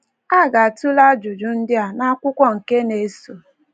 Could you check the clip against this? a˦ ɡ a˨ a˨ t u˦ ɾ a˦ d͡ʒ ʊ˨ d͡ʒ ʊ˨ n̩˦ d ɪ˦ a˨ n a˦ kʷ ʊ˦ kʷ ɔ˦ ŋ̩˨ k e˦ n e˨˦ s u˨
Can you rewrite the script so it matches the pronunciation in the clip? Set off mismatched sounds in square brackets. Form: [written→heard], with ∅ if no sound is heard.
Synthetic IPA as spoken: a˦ ɡ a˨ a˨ t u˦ [ɾ→l] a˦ d͡ʒ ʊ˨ d͡ʒ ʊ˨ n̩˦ d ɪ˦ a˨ n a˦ kʷ ʊ˦ kʷ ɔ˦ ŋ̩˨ k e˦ n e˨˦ s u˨

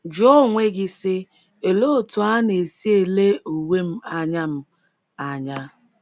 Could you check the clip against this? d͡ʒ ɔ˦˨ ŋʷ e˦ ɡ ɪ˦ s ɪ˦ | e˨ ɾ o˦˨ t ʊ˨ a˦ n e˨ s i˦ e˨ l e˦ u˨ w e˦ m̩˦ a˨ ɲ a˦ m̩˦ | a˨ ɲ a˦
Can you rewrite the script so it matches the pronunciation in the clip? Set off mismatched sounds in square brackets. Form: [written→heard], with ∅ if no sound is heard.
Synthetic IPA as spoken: d͡ʒ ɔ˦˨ ŋʷ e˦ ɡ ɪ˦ s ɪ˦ | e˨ [ɾ→l] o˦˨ t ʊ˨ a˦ n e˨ s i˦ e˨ l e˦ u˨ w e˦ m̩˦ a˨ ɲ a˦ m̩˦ | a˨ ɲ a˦

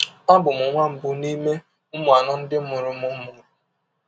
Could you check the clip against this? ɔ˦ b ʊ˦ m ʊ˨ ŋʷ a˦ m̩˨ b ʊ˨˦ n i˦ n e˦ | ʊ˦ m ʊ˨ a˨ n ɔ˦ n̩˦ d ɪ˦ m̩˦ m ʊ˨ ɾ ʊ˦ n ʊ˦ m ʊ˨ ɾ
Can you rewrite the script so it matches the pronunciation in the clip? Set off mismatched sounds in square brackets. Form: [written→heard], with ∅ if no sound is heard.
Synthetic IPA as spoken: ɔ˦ b [ʊ˦→ʊ˨] m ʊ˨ ŋʷ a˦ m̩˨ b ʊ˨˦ n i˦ [n→m] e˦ | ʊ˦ m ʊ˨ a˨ n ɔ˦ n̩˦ d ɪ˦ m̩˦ m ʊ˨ ɾ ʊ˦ [n→m] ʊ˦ m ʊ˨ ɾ

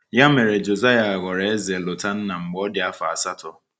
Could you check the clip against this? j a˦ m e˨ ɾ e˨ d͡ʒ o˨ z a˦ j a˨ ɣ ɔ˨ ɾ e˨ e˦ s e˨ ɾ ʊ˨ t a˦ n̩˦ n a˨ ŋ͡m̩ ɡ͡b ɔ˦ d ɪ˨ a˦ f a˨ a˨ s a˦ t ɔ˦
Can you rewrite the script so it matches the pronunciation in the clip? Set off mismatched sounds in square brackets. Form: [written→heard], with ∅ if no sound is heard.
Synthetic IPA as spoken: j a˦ m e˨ ɾ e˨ d͡ʒ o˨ z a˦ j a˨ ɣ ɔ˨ ɾ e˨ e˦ [s→z] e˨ [ɾ→l] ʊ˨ t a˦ n̩˦ n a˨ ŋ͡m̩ ɡ͡b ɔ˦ d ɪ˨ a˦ f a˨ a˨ s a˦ t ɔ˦

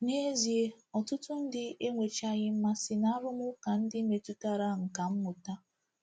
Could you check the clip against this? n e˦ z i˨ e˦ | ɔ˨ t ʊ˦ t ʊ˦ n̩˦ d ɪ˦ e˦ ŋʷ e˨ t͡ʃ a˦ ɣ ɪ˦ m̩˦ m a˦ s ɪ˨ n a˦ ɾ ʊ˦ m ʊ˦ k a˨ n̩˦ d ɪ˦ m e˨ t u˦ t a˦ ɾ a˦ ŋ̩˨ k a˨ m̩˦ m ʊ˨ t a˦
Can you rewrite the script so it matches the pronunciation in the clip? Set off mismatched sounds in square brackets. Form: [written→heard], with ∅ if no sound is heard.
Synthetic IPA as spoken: n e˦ z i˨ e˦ | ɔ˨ t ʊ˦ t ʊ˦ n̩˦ d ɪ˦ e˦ ŋʷ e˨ t͡ʃ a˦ ɣ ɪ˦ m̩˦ m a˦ s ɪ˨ n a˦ ɾ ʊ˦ m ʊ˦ k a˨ n̩˦ d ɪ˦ m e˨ t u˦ t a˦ ɾ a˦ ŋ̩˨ k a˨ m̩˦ m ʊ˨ t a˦

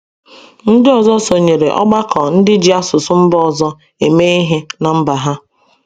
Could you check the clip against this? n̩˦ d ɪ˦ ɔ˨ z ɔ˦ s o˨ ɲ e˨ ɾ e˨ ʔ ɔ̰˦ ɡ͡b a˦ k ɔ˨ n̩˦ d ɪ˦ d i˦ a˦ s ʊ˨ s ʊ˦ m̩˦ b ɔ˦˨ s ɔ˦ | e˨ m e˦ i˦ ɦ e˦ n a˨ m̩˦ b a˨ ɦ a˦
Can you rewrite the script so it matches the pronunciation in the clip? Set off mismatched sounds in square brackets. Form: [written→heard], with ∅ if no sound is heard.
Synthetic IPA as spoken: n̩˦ d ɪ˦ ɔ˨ z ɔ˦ s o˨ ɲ e˨ ɾ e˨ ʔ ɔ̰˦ ɡ͡b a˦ k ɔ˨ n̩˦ d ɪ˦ [d→d͡ʒ] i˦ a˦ s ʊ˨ s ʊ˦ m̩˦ b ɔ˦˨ [s→z] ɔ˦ | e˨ m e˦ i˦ ɦ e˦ n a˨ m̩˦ b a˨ ɦ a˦

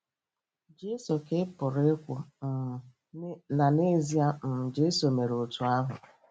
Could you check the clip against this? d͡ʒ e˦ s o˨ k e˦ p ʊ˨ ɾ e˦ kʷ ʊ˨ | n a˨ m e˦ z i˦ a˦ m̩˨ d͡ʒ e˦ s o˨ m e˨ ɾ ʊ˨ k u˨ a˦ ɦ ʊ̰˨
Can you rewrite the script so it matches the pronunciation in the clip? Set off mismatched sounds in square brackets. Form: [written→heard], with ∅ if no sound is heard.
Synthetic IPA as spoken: d͡ʒ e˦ s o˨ k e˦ p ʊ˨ ɾ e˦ kʷ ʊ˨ | n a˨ [m→n] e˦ z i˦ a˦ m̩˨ d͡ʒ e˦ s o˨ m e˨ ɾ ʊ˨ [k→t] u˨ a˦ ɦ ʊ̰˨

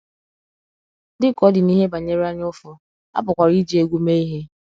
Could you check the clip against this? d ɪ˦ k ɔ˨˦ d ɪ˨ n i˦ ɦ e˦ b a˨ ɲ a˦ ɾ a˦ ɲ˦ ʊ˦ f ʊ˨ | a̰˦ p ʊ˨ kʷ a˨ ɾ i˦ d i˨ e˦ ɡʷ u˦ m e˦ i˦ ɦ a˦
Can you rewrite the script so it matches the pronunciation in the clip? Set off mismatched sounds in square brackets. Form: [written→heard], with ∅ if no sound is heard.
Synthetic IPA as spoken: d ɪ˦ k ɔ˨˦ d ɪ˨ n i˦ ɦ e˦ b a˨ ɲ [a˦→e˦] ɾ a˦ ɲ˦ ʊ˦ f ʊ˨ | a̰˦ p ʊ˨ kʷ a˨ ɾ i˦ [d→d͡ʒ] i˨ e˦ ɡʷ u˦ m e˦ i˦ ɦ [a˦→e˦]

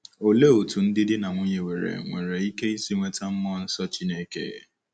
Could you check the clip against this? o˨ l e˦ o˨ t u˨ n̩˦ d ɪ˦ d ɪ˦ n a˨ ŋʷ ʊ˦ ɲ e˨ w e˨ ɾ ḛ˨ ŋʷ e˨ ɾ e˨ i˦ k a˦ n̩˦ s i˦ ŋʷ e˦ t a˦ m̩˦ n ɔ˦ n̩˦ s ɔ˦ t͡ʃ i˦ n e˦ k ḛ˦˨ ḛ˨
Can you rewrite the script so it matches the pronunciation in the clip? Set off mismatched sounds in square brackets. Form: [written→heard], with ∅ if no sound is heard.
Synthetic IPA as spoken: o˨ l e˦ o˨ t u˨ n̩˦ d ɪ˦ d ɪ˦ n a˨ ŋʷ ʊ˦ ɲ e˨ w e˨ ɾ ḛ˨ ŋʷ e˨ ɾ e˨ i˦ k [a˦→e˦] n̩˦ s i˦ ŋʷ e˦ t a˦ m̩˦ [n→m] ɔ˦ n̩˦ s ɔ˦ t͡ʃ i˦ n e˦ k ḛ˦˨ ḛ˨

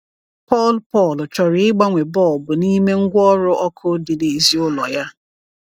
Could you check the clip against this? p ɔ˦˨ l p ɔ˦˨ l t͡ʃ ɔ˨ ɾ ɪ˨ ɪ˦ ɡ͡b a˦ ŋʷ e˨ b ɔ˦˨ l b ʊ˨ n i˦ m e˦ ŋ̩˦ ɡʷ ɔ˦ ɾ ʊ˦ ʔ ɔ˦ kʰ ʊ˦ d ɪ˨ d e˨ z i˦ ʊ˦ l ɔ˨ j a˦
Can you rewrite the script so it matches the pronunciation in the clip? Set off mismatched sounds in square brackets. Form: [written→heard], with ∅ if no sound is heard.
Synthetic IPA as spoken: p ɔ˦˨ l p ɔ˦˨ l t͡ʃ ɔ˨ ɾ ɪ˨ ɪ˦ ɡ͡b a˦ ŋʷ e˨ b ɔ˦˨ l b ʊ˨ n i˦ m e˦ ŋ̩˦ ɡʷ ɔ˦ ɾ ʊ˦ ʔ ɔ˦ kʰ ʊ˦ d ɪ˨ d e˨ z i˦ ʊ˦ l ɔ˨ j a˦

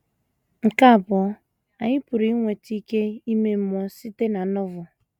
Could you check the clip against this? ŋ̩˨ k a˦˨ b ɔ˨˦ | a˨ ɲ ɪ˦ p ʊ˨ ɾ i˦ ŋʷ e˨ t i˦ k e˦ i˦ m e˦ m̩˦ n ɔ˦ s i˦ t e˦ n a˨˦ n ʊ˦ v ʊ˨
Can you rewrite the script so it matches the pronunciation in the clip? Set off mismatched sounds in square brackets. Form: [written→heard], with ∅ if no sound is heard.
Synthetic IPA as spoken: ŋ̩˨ k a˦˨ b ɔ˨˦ | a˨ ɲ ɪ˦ p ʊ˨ ɾ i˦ ŋʷ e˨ t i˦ k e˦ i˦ m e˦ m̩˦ [n→m] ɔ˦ s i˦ t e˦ n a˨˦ n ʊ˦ v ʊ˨

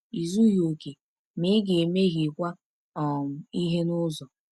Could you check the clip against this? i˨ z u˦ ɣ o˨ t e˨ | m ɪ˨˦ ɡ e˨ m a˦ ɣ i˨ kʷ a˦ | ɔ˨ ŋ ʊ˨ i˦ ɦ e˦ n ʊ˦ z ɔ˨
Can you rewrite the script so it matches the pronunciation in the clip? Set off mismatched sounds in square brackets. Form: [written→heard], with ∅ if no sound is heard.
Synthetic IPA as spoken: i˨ z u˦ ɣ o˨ [t→k] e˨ | m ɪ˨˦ ɡ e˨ m [a˦→e˦] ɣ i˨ kʷ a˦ | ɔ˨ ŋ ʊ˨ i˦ ɦ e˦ n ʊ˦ z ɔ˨

